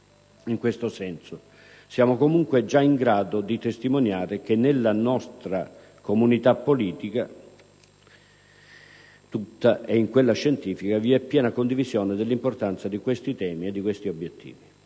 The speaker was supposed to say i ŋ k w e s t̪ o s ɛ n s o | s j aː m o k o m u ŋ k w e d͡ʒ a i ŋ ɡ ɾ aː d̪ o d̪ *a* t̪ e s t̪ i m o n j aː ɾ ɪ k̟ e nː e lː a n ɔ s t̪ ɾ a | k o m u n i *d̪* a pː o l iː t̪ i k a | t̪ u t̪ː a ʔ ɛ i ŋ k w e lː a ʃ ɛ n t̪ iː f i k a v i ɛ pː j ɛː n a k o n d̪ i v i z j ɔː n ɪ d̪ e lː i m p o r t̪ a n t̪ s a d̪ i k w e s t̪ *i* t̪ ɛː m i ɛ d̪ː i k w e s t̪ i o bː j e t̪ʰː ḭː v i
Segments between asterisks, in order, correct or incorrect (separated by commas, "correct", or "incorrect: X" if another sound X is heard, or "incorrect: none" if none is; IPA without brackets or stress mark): incorrect: i, incorrect: t̪, correct